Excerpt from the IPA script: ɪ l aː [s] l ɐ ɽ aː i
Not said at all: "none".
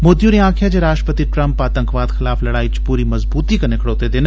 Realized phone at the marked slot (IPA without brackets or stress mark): f